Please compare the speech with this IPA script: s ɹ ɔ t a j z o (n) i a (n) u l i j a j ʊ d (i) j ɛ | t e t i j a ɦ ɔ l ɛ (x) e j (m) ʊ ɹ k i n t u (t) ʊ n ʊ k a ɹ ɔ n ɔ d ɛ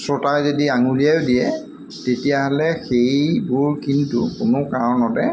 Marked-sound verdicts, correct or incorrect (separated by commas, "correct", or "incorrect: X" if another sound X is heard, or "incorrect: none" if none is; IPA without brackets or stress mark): incorrect: d, incorrect: ŋ, correct, correct, incorrect: b, incorrect: k